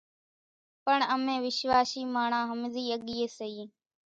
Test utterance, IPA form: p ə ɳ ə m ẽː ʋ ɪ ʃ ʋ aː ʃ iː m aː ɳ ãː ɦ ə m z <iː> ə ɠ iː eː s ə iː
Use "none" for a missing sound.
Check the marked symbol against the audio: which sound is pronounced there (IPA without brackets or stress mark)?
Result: iː